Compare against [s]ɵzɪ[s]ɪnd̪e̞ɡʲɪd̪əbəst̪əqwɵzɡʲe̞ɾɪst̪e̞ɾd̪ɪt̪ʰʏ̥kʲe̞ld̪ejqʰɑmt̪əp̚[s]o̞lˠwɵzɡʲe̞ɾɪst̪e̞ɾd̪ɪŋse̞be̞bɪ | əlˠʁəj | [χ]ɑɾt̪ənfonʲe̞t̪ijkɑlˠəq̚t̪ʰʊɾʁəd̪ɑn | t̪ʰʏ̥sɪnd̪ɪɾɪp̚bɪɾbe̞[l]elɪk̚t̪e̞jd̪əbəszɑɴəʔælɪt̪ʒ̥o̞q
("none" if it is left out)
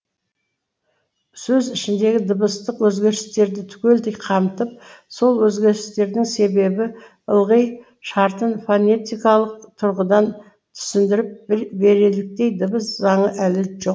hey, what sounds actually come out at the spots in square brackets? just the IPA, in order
s, ʃ, s, ʃ, ɾ

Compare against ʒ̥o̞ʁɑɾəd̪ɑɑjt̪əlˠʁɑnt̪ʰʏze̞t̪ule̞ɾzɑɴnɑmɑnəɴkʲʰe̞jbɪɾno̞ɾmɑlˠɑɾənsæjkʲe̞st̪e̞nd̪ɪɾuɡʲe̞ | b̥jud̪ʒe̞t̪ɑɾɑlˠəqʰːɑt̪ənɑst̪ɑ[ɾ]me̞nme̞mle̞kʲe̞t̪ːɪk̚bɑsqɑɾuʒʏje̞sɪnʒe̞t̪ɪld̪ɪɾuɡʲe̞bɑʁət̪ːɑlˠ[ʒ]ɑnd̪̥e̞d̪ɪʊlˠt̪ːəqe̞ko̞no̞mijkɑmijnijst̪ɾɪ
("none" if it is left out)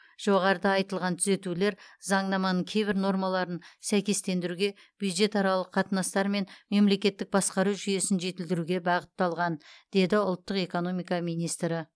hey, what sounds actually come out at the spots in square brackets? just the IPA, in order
ɾ, ʁ

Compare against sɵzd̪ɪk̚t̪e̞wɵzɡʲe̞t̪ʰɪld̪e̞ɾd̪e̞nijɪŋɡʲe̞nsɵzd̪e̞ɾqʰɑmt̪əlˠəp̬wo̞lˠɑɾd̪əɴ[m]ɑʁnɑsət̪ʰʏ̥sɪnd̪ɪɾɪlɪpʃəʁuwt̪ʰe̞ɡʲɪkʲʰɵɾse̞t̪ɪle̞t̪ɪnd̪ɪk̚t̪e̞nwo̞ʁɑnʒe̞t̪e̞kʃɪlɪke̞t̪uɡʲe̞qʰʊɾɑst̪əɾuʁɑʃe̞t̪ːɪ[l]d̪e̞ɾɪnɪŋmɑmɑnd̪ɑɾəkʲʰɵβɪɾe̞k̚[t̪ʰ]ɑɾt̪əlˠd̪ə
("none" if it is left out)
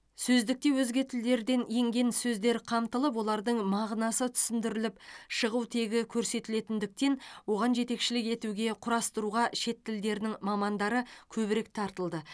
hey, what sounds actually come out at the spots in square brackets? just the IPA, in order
m, l, t̪ʰ

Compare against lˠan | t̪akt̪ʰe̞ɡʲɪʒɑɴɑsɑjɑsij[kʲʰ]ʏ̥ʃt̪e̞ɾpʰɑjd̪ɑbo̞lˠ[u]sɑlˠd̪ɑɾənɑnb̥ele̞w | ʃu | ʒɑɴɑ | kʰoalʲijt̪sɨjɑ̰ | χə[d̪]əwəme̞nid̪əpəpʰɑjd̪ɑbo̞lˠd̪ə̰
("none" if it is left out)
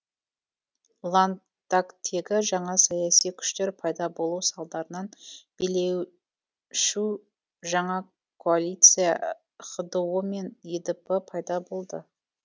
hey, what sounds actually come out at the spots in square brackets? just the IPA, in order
kʲʰ, u, d̪

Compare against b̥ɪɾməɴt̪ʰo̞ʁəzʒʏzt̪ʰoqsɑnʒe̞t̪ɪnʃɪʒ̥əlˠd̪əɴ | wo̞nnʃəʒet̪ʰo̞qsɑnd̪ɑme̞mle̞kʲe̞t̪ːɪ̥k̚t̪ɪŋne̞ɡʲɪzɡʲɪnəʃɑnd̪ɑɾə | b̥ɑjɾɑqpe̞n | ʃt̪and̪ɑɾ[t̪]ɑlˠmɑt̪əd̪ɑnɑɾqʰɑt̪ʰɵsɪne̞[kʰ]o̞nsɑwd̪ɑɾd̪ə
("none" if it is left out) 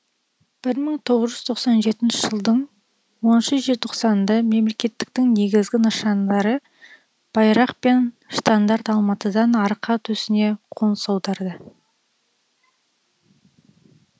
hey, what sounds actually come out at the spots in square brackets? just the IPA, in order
t̪, qʰ

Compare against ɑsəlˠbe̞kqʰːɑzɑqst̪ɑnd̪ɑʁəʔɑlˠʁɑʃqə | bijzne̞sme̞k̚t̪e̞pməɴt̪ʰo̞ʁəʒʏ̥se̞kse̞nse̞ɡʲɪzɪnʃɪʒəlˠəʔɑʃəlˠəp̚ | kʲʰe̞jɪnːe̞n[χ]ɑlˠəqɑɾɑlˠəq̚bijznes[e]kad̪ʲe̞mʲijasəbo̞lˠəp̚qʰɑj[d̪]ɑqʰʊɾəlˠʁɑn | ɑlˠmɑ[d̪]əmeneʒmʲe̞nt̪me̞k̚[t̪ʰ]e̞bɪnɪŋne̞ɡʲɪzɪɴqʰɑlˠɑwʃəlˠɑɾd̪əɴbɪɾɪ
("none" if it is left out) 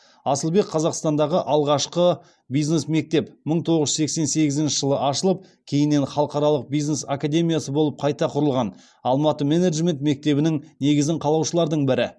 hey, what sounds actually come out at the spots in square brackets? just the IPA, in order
χ, a, t̪, t̪, t̪

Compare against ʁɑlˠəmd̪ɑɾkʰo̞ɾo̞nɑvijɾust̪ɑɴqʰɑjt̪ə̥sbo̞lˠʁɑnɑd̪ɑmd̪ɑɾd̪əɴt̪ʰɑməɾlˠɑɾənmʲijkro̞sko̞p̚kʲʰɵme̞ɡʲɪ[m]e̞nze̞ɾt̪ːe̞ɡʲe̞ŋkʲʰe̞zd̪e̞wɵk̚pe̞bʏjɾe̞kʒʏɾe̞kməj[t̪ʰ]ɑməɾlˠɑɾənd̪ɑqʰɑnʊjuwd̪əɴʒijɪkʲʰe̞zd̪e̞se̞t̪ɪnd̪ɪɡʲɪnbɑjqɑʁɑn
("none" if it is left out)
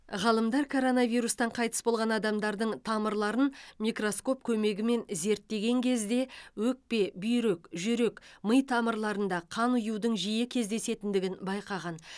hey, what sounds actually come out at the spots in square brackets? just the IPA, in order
m, t̪ʰ

